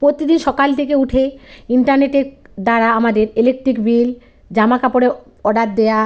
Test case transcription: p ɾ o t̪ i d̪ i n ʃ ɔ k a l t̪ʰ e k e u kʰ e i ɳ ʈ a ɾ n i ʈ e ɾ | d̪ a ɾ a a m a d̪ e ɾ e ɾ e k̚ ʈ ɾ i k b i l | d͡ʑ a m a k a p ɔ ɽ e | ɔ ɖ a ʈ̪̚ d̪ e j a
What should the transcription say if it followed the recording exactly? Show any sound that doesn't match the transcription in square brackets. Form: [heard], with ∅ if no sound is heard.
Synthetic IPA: p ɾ o t̪ i d̪ i n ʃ ɔ k a l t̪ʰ e k e u [ʈʰ] e i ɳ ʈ a ɾ n [e] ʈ e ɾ | d̪ a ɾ a a m a d̪ e ɾ e [l] e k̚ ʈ ɾ i k b i l | d͡ʑ a m a k a p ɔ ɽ e | ɔ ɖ a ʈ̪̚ d̪ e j a